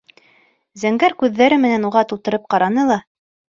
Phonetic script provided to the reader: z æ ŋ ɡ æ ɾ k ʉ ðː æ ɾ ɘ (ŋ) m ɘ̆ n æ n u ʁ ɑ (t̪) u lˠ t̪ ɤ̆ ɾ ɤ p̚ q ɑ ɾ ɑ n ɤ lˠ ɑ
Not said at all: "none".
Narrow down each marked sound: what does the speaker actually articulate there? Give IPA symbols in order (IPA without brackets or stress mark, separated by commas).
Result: none, t̪